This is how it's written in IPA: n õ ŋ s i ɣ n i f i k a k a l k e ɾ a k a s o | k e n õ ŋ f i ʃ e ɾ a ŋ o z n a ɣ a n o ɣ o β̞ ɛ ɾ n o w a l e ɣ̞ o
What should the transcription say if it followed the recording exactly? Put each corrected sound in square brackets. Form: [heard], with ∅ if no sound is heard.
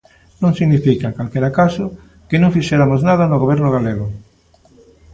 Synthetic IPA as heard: n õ ŋ s i ɣ n i f i k a k a l k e ɾ a k a s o | k e n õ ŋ f i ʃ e ɾ a [m] o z n a [ð] a n o ɣ o β̞ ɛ ɾ n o [ɣ] a l e ɣ̞ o